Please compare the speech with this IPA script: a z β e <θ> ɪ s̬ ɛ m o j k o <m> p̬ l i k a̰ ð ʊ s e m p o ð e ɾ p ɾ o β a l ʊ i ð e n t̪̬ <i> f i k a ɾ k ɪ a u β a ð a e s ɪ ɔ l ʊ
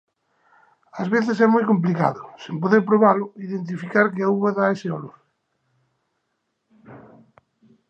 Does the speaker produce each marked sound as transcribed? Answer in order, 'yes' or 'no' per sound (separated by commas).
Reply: yes, yes, yes